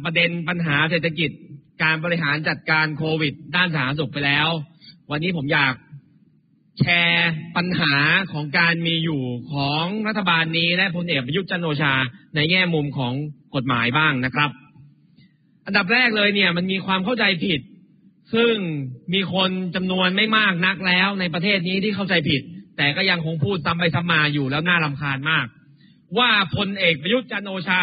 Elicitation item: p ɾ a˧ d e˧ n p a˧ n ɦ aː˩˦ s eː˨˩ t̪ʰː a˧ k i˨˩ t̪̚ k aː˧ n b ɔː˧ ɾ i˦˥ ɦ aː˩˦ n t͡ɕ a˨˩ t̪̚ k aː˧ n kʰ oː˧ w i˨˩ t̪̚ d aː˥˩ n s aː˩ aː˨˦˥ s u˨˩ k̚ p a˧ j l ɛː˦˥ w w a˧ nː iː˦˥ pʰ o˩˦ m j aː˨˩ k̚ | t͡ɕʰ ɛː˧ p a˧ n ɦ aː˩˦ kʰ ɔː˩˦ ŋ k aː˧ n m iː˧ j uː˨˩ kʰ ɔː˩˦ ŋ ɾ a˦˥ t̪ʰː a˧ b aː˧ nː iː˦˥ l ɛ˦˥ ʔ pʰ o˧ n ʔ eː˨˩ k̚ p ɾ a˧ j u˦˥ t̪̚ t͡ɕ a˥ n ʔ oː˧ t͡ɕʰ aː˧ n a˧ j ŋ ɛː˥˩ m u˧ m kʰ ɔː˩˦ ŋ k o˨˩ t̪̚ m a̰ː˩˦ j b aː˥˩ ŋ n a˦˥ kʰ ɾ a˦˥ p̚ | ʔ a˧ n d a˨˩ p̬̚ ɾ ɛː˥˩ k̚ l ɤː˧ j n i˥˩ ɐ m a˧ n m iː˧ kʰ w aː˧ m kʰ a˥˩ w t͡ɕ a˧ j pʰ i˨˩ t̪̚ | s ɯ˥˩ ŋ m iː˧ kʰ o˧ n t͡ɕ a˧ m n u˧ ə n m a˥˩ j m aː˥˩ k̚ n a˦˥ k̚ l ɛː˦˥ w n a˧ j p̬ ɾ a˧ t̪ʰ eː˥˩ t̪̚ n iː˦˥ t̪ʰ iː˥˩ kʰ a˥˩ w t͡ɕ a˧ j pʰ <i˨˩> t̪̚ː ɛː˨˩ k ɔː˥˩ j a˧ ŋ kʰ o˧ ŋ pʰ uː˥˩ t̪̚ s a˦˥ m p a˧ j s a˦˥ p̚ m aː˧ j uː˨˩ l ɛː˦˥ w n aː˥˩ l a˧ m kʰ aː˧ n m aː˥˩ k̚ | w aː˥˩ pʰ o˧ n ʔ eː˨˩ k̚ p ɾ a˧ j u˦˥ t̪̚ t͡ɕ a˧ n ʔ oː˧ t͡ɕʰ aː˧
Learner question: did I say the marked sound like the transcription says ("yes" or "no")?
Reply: yes